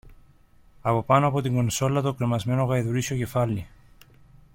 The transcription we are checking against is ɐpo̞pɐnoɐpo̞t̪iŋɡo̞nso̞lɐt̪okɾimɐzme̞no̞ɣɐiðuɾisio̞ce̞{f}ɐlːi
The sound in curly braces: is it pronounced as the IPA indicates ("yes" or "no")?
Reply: yes